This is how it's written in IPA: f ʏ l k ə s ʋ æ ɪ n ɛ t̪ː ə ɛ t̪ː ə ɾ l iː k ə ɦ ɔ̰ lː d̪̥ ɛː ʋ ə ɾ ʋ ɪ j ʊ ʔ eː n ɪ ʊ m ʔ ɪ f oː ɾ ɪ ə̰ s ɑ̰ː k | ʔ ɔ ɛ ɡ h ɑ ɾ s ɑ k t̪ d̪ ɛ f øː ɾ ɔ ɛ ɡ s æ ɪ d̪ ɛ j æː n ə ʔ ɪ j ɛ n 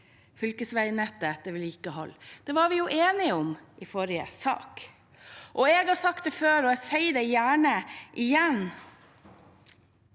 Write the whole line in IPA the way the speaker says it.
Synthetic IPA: f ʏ l k ə s ʋ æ ɪ n ɛ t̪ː ə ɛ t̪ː ə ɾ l iː k ə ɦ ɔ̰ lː d̪̥ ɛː ʋ ɑ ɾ ʋ ɪ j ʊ ʔ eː n ɪ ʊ m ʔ ɪ f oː ɾ ɪ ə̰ s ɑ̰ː k | ʔ ɔ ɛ ɡ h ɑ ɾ s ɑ k t̪ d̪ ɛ f øː ɾ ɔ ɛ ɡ s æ ɪ d̪ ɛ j æː ɳ ə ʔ ɪ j ɛ n